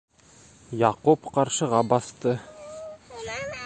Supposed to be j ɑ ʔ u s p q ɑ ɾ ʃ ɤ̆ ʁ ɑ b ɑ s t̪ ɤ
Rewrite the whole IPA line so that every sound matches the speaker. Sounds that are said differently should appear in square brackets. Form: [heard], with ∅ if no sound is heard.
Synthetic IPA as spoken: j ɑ [q] u [∅] p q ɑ ɾ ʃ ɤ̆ ʁ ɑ b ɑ s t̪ ɤ